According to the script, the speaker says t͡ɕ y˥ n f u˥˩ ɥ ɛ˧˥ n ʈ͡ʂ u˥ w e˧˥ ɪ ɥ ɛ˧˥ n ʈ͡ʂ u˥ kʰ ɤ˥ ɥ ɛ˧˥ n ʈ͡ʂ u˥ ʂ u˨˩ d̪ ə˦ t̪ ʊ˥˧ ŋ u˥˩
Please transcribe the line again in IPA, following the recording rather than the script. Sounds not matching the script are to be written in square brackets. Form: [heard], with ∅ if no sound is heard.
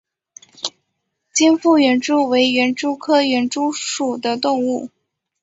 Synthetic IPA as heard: t͡ɕ [i˥] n f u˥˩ ɥ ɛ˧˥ n ʈ͡ʂ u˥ w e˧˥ ɪ ɥ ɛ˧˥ n ʈ͡ʂ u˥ kʰ ɤ˥ ɥ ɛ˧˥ n ʈ͡ʂ u˥ ʂ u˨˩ d̪ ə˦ t̪ ʊ˥˧ ŋ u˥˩